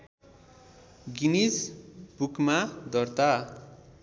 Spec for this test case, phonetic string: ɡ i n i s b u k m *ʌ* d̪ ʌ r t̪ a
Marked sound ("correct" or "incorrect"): incorrect